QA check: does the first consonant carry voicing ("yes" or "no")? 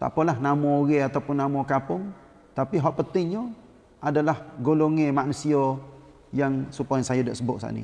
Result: no